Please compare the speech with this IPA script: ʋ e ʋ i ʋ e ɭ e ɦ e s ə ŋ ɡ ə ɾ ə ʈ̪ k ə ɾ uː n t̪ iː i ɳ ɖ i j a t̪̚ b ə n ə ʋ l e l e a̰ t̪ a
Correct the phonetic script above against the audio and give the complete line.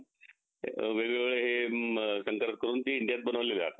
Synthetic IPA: ʋ e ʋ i ʋ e ɭ e ɦ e s ə ŋ k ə ɾ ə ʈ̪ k ə ɾ uː n t̪ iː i ɳ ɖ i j a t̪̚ b ə n ə ʋ l e l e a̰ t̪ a

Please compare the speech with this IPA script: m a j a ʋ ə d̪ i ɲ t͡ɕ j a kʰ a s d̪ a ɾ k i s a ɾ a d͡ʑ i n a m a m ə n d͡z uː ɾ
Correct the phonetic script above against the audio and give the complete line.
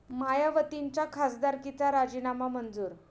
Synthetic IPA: m a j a ʋ ə t̪ i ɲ t͡ɕ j a kʰ a s d̪ a ɾ k i t͡s a ɾ a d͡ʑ i n a m a m ə n d͡z uː ɾ

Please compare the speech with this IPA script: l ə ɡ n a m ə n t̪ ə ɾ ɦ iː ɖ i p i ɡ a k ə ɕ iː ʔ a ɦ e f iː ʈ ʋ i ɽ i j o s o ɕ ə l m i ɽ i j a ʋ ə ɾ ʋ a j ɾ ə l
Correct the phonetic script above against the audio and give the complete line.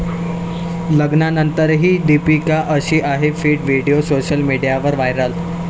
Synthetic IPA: l ə ɡ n a n ə n t̪ ə ɾ ɦ iː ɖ i p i k a ʔ ə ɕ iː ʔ a ɦ e f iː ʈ ʋ i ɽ i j o s o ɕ ə l m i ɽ i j a ʋ ə ɾ ʋ a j ɾ ə l

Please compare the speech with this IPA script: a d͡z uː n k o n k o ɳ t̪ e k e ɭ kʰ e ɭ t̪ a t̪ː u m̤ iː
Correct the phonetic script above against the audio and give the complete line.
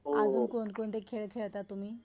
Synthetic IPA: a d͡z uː n k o n k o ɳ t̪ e kʰ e ɭ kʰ e ɭ t̪ a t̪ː u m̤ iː

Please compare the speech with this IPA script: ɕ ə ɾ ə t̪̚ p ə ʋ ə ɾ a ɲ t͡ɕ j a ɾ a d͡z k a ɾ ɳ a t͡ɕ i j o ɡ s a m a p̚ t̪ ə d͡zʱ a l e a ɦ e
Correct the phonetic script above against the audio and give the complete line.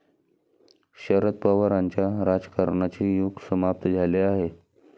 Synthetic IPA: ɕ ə ɾ ə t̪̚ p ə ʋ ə ɾ a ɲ t͡ɕ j a ɾ a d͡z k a ɾ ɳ a t͡ɕ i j u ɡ s ə m a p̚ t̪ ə d͡zʱ a l e a ɦ e

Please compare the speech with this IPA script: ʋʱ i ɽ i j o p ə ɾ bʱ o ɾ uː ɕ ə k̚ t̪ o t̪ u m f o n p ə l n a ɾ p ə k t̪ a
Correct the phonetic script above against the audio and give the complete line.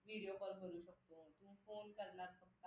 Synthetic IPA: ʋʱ i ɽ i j o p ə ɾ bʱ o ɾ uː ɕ ə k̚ t̪ o t̪ u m f o n k ə ɾ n a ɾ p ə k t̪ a

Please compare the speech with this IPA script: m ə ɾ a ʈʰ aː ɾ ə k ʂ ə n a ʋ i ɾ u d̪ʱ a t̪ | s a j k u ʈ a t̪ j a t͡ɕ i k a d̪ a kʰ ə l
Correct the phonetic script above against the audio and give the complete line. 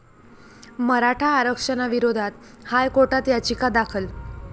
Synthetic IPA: m ə ɾ a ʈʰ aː ɾ ə k ʂ ə n a ʋ i ɾ o d̪ʱ a t̪ | h a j k o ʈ a t̪ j a t͡ɕ i k a d̪ a kʰ ə l

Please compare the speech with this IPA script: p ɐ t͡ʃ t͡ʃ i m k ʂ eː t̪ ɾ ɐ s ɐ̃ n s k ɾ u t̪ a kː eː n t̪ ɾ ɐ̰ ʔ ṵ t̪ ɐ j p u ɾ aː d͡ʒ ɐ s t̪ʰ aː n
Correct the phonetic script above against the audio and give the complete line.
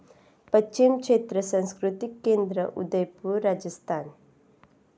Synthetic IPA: p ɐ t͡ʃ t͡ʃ i m k ʂ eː t̪ ɾ ɐ s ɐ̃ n s k ɾ u t̪ i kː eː n d̪ ɾ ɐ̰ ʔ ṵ d̪ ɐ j p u ɾ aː d͡ʒ ɐ s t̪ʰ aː n

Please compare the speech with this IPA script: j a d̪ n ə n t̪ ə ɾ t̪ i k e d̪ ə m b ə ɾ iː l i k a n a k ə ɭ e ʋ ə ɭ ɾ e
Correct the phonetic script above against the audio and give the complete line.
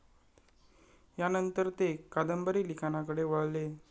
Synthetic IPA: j a n ə n t̪ ə ɾ t̪ e k a d̪ ə m b ə ɾ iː l i k a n a k ə ɽ e ʋ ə ɭ l e

